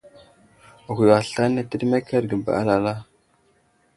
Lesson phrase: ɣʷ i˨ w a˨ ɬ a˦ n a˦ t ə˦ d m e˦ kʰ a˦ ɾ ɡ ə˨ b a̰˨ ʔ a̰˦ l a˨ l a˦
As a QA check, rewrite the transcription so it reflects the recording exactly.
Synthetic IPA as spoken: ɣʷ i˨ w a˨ ɬ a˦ n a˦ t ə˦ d m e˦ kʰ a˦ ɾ ɡ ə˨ b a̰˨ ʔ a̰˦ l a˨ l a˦